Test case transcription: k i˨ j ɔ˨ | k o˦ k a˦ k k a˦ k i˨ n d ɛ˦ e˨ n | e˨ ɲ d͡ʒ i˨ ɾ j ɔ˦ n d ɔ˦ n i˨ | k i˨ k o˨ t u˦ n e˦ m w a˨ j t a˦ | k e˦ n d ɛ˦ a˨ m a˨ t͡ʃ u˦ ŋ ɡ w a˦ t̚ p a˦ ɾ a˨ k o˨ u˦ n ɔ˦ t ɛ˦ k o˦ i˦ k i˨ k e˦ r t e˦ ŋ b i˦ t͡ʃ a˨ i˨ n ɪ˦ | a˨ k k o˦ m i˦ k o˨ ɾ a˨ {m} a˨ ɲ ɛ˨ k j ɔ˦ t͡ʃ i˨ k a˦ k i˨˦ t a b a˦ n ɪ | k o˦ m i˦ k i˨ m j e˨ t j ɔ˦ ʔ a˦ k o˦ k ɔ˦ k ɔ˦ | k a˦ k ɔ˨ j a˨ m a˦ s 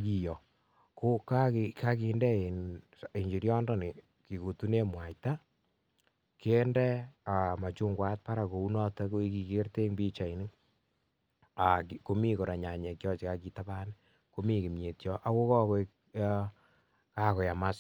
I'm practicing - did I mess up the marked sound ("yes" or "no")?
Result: yes